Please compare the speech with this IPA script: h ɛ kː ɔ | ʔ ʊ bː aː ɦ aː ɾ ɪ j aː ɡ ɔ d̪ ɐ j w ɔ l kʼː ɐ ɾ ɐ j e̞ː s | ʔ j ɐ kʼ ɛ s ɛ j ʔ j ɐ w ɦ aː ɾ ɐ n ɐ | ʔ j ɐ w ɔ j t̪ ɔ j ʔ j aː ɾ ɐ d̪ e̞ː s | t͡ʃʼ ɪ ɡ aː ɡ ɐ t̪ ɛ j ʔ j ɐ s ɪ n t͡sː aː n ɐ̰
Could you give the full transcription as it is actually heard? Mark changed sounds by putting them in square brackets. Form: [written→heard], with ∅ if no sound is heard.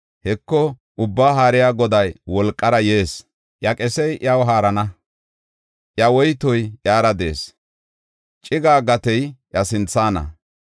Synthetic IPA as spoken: h ɛ kː ɔ | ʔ ʊ bː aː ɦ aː ɾ ɪ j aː ɡ ɔ d̪ ɐ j w ɔ l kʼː ɐ ɾ ɐ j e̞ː s | ʔ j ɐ kʼ ɛ s ɛ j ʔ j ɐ w ɦ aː ɾ ɐ n ɐ | ʔ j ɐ w ɔ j t̪ ɔ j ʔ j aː ɾ ɐ d̪ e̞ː s | t͡ʃʼ ɪ ɡ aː ɡ ɐ t̪ ɛ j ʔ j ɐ s ɪ n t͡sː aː n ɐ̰

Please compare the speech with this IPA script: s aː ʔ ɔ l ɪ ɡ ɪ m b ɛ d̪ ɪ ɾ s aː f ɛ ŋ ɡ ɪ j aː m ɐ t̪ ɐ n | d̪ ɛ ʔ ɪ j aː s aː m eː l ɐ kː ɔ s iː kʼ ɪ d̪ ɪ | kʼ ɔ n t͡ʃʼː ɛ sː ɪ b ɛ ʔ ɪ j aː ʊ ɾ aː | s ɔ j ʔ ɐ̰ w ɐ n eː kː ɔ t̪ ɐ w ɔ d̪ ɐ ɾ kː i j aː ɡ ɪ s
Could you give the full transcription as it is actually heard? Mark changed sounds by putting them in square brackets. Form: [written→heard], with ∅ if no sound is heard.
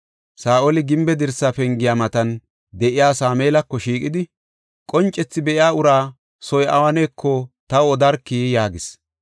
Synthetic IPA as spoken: s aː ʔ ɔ l ɪ ɡ ɪ m b ɛ d̪ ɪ ɾ s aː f ɛ ŋ ɡ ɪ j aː m ɐ t̪ ɐ n | d̪ ɛ ʔ ɪ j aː s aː m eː l ɐ kː ɔ [s→ʃ] iː kʼ ɪ d̪ ɪ | kʼ ɔ n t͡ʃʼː ɛ [sː→t͡sː] ɪ b ɛ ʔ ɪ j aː ʊ ɾ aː | s ɔ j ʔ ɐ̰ w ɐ n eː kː ɔ t̪ ɐ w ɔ d̪ ɐ ɾ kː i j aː ɡ ɪ s

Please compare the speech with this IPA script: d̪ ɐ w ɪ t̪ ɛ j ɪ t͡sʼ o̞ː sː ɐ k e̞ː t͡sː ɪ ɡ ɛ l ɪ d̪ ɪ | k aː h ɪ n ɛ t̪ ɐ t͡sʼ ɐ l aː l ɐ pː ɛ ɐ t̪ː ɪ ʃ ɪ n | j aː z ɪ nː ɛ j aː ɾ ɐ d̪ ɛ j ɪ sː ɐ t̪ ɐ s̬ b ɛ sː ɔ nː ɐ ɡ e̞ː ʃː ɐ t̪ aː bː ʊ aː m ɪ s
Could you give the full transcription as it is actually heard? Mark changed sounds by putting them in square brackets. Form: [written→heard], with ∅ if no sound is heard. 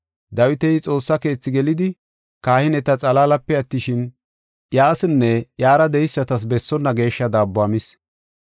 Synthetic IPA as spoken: d̪ ɐ w ɪ t̪ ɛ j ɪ t͡sʼ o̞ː sː ɐ k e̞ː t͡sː ɪ ɡ ɛ l ɪ d̪ ɪ | k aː h ɪ n ɛ t̪ ɐ t͡sʼ ɐ l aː l ɐ pː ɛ ɐ t̪ː ɪ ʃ ɪ n | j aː [z→s] ɪ nː ɛ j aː ɾ ɐ d̪ ɛ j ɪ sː ɐ t̪ ɐ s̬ b ɛ sː ɔ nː ɐ ɡ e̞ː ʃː ɐ [t̪→d̪] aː bː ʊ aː m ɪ s

